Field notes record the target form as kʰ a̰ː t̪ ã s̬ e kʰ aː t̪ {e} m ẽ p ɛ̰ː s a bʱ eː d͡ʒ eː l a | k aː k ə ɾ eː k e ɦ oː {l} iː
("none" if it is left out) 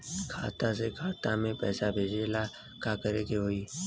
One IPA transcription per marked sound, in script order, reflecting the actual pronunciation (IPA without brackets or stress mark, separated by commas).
a, none